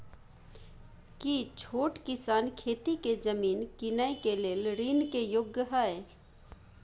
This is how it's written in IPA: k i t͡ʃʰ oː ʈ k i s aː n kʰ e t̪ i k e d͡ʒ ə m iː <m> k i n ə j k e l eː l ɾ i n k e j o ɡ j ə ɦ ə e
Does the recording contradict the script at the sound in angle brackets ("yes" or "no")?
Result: yes